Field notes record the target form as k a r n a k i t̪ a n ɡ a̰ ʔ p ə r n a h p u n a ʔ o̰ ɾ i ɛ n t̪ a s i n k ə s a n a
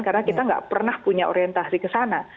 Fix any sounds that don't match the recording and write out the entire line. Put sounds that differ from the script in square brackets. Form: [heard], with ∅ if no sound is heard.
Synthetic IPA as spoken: k a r n a k i t̪ a [ŋ] ɡ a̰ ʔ p ə r n a h p u [ɲ] a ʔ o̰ ɾ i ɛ n t̪ a s i [∅] k ə s a n a